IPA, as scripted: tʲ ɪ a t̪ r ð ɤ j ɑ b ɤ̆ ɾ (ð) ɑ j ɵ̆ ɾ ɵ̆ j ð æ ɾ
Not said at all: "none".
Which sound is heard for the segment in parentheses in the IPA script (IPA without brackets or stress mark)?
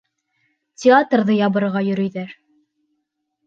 ʁ